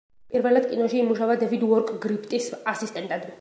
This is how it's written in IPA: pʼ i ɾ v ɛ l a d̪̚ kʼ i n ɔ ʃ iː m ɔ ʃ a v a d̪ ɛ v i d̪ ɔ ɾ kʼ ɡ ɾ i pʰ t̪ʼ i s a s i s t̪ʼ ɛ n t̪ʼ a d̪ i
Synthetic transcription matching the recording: pʼ i ɾ v ɛ l a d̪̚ kʼ i n ɔ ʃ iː m u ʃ a v a d̪ ɛ v i d̪ ɔ ɾ kʼ ɡ ɾ i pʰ t̪ʼ i s a s i s t̪ʼ ɛ n t̪ʼ a d̪ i